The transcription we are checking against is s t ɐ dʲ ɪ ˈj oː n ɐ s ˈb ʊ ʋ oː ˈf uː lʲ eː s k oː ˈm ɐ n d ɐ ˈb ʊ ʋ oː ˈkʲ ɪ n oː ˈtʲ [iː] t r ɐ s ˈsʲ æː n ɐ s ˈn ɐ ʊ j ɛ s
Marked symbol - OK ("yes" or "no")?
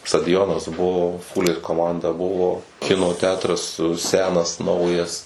no